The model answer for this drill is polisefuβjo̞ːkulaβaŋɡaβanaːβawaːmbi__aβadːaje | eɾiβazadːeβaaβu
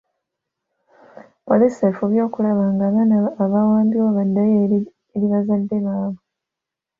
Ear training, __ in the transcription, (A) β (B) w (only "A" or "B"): B